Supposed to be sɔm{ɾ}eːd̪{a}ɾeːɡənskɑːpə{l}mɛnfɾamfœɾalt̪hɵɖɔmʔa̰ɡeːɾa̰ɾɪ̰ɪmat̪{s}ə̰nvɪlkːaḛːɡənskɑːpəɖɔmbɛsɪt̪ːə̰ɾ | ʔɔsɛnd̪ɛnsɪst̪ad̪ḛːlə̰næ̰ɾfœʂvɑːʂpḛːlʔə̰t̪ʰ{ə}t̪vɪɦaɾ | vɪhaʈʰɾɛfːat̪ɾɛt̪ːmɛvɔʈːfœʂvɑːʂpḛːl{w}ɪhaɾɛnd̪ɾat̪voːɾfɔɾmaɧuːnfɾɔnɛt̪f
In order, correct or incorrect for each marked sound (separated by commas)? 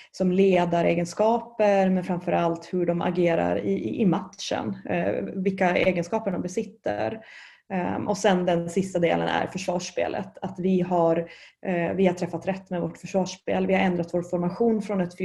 incorrect, correct, incorrect, incorrect, incorrect, incorrect